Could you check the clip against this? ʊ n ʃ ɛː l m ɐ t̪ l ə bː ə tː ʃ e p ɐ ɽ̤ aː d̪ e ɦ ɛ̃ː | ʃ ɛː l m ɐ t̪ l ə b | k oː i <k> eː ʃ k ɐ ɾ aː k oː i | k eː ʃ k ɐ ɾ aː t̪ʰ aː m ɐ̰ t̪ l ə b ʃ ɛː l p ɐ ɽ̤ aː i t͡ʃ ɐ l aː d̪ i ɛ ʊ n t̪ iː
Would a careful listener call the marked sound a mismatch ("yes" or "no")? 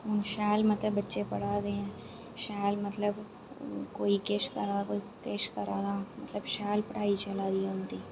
no